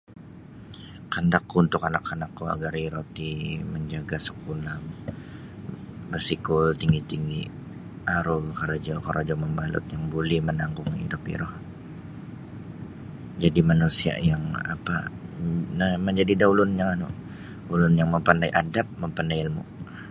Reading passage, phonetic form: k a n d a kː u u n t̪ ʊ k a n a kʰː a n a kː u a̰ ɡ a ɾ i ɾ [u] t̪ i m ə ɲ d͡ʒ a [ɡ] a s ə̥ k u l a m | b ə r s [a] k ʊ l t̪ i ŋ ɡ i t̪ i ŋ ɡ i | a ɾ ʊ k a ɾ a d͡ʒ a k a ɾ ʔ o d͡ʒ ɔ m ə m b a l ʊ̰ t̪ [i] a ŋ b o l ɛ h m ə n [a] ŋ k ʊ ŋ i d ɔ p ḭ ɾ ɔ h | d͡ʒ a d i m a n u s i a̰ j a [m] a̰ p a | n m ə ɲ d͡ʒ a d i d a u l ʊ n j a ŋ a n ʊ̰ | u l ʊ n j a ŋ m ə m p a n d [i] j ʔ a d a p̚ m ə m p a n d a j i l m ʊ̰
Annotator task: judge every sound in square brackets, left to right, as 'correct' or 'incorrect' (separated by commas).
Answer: incorrect, correct, incorrect, incorrect, correct, incorrect, incorrect